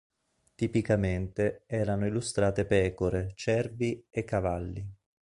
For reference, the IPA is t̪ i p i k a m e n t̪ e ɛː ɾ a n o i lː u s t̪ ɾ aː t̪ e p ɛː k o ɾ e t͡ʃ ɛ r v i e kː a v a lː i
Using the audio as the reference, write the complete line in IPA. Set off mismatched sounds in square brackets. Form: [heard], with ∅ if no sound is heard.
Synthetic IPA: t̪ i p i k a m e n t̪ e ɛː ɾ a n o i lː u s t̪ ɾ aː t̪ e p ɛː k o ɾ e t͡ʃ ɛ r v i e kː a v a lː i